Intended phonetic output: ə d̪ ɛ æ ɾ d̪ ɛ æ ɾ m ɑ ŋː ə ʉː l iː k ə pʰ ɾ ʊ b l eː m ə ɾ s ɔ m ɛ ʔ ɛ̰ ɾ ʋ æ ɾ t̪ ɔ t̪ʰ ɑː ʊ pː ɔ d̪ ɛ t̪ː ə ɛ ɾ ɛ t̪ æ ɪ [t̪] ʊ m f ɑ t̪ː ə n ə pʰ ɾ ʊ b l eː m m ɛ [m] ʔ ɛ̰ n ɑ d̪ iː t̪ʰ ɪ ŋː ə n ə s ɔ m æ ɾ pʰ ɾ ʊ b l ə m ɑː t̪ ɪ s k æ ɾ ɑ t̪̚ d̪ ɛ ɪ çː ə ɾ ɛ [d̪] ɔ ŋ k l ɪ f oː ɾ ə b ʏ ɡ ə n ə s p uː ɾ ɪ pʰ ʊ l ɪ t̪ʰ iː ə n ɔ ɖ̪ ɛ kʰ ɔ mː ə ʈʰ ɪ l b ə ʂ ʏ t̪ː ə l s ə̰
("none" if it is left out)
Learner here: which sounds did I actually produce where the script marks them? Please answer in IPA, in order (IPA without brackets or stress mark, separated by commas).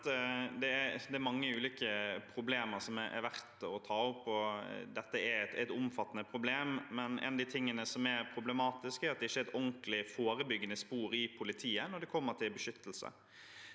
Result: t̪, n, t̪